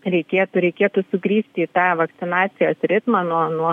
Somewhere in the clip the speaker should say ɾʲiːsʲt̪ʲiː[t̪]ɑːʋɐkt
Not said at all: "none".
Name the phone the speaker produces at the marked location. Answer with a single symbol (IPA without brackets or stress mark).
t̪